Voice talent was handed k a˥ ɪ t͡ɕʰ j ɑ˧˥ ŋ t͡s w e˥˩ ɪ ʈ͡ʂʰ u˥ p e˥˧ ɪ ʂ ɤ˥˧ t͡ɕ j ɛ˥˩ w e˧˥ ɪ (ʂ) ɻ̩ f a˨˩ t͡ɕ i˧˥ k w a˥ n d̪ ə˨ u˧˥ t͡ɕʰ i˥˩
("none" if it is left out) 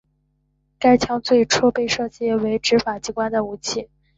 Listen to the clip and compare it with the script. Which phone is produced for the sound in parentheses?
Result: ʈ͡ʂ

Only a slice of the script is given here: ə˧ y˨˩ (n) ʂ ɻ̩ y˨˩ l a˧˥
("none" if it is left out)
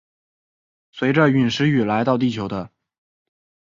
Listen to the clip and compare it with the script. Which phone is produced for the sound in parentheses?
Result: n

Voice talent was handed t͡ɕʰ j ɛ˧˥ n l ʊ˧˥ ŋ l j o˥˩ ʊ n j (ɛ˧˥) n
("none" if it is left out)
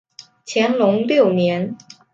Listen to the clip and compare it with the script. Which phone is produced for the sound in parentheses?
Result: ɛ˧˥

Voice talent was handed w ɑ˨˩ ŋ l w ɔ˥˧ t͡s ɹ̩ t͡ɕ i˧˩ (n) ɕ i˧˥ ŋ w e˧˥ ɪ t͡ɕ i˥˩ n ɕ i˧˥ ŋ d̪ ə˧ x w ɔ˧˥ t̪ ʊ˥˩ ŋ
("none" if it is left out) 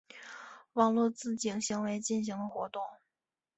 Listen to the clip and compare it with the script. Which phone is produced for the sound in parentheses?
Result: ŋ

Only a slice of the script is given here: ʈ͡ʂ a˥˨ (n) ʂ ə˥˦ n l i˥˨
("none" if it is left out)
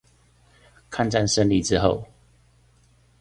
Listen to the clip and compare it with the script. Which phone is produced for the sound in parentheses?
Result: n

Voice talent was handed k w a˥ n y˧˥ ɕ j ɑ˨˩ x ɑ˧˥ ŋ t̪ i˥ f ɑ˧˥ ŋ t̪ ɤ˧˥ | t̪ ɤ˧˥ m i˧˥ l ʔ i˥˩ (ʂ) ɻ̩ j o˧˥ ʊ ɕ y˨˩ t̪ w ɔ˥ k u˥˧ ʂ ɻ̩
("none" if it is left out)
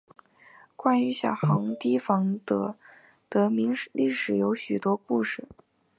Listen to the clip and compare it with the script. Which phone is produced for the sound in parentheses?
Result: ʂ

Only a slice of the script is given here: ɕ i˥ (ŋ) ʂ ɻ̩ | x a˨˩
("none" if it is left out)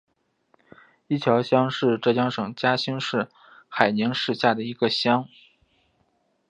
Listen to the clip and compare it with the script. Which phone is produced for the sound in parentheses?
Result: ŋ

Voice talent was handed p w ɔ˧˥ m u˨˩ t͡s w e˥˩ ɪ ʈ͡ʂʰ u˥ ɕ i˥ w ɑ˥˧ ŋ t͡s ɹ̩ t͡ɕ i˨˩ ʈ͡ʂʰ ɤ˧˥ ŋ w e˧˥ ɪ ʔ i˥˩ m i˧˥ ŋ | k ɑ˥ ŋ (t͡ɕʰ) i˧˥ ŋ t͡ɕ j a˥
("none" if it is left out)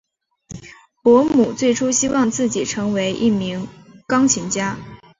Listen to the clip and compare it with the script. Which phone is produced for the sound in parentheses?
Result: t͡ɕʰ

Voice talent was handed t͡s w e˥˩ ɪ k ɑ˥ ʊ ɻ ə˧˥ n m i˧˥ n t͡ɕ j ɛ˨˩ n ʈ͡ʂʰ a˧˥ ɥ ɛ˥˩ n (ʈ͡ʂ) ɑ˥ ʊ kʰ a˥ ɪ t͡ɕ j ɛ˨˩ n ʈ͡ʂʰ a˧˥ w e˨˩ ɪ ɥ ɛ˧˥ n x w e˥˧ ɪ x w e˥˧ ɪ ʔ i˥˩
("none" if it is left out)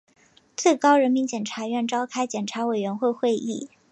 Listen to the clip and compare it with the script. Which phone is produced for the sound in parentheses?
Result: ʈ͡ʂ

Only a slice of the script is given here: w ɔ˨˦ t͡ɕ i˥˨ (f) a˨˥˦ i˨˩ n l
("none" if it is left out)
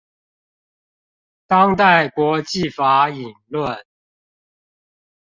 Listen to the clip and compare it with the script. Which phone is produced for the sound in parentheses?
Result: f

